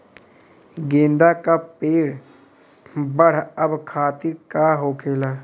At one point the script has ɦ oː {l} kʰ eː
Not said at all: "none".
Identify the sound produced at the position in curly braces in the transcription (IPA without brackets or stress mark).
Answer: none